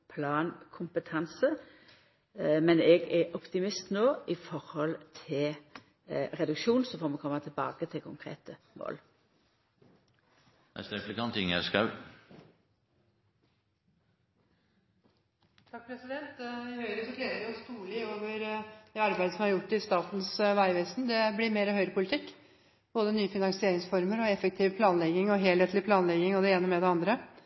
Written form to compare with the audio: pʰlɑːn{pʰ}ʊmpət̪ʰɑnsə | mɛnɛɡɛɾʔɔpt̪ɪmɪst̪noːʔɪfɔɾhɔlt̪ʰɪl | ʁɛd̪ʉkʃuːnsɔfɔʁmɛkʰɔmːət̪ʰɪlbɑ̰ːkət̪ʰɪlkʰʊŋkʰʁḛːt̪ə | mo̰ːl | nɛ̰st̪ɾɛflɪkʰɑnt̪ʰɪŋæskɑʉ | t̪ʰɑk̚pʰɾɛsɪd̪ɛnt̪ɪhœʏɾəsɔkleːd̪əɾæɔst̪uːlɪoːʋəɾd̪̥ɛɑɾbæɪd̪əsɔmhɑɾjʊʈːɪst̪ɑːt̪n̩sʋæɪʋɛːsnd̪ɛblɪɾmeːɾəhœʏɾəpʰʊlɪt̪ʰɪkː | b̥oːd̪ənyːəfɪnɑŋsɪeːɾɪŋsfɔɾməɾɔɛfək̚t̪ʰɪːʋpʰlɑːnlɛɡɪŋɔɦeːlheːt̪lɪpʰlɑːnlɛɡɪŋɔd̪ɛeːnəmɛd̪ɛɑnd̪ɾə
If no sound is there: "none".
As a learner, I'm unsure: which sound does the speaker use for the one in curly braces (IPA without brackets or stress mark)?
kʰ